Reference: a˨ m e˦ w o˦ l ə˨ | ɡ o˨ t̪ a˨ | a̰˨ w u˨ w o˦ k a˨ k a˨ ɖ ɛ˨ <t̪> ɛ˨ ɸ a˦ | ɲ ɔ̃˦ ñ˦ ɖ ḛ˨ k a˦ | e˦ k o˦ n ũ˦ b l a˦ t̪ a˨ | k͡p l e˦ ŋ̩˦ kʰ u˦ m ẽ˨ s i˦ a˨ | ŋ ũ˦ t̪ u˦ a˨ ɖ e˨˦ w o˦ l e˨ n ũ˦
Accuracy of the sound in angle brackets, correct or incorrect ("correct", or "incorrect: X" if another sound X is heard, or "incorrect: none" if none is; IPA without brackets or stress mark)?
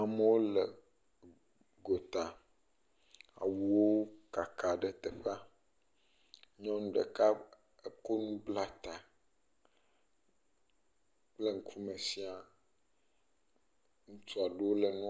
correct